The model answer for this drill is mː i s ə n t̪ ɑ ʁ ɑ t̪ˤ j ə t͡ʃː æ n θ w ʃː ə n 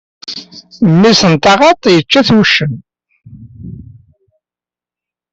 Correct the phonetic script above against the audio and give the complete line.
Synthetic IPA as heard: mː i s ə n t̪ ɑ ʁ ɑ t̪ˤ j ə t͡ʃː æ θ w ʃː ə n